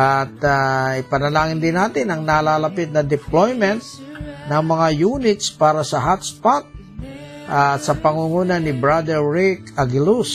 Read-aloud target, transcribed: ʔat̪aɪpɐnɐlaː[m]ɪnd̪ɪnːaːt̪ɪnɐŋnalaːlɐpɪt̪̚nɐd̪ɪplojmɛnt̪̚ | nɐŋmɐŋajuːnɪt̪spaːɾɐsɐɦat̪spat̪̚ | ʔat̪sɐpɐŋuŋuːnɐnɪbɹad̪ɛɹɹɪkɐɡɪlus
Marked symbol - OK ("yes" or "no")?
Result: no